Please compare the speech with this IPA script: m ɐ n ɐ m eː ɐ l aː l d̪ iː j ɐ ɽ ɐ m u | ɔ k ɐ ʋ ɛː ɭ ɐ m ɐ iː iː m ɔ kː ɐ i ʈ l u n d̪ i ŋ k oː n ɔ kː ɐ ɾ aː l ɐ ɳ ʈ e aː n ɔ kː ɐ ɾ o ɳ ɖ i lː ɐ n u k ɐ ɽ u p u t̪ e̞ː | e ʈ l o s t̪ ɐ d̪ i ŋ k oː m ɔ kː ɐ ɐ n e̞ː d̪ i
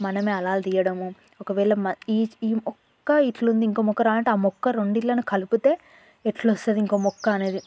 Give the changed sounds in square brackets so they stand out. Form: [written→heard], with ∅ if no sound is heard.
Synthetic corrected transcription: m ɐ n ɐ m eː ɐ l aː l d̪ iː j ɐ ɽ ɐ m u | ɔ k ɐ ʋ ɛː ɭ ɐ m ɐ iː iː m ɔ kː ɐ i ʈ l u n d̪ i ŋ k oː [n→m] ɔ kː ɐ ɾ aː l ɐ ɳ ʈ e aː [n→m] ɔ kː ɐ ɾ o ɳ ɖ i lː ɐ n u k ɐ [ɽ→l] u p u t̪ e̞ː | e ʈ l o s t̪ ɐ d̪ i ŋ k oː m ɔ kː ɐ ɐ n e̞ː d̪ i